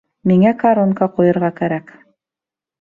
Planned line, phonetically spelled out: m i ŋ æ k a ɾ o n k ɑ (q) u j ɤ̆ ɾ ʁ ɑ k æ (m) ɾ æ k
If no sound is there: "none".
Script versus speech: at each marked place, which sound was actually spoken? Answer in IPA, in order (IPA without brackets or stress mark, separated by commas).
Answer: q, none